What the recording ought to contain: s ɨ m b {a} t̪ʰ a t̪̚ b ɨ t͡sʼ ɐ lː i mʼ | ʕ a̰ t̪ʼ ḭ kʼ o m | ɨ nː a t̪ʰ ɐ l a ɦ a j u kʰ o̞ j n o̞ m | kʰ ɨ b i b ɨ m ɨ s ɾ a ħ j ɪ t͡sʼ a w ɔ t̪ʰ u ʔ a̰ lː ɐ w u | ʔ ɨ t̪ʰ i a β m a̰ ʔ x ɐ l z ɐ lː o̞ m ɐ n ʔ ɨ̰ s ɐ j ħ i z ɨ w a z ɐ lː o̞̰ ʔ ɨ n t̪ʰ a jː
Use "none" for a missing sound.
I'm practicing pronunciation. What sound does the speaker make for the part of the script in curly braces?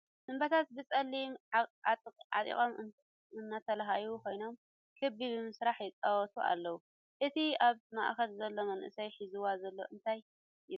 ɐ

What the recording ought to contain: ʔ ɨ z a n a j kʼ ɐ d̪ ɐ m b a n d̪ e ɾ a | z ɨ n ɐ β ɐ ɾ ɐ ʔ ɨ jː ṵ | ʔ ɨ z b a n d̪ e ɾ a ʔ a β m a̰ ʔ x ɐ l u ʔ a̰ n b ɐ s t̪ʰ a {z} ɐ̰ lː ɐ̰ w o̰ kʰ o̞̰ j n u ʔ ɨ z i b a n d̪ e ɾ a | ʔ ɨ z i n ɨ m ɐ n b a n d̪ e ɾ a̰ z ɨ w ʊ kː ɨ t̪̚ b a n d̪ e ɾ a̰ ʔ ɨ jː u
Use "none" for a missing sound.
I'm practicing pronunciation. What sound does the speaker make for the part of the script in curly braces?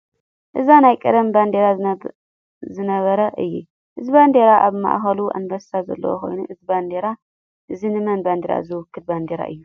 z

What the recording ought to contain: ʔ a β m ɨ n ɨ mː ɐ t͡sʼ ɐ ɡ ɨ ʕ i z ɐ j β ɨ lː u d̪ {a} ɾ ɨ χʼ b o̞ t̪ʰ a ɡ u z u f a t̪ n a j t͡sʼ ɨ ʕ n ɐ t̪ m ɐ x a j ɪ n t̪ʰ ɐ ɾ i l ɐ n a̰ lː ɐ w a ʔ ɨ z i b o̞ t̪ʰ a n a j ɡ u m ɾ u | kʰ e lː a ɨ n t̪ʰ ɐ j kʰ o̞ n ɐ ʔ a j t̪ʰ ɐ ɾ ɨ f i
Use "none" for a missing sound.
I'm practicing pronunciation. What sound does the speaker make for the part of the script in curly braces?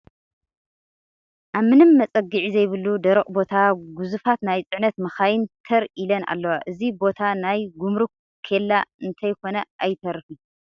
ɐ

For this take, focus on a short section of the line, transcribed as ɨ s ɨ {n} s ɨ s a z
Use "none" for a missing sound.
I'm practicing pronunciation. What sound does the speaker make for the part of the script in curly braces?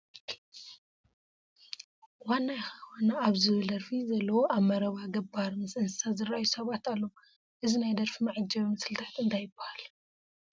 n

